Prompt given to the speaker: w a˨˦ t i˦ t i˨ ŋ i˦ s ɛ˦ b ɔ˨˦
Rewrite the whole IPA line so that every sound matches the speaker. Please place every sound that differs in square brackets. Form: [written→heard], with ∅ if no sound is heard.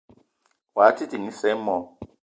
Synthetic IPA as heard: w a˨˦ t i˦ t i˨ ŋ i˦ s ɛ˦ [b→m] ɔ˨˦